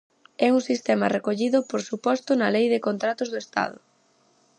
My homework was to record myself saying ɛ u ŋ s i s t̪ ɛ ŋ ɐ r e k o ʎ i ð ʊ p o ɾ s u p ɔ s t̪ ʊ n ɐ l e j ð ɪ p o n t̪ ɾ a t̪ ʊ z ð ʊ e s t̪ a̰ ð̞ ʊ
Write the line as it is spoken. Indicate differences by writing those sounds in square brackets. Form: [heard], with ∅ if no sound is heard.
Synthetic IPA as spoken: ɛ u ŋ s i s t̪ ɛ [m] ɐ r e k o ʎ i ð ʊ p o ɾ s u p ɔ s t̪ ʊ n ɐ l e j ð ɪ [k] o n t̪ ɾ a t̪ ʊ z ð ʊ e s t̪ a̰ ð̞ ʊ